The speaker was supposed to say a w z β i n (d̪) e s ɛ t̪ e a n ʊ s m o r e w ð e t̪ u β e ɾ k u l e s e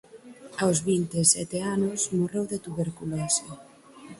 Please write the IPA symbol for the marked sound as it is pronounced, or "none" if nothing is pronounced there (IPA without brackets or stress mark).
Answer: t̪